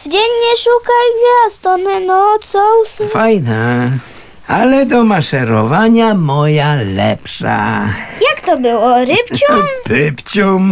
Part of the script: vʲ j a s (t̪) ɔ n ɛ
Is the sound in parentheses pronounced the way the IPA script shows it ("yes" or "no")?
yes